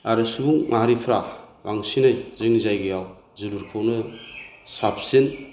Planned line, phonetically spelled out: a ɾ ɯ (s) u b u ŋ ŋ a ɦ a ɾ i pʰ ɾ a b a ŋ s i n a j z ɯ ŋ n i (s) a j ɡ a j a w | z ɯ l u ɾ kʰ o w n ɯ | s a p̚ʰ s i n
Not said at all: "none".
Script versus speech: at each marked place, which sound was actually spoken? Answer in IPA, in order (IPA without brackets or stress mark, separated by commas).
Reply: s, z